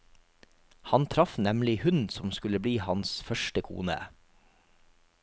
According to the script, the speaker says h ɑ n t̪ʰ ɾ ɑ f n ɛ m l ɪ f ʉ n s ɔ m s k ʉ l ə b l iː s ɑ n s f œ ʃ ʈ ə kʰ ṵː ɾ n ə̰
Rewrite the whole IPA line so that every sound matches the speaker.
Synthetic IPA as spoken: h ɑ n t̪ʰ ɾ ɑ f n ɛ m l ɪ h ʉ n s ɔ m s k ʉ l ə b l iː h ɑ n s f œ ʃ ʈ ə kʰ ṵː n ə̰